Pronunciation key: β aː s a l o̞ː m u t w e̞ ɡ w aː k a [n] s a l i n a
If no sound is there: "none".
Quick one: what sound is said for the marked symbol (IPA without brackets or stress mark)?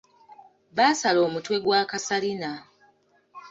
none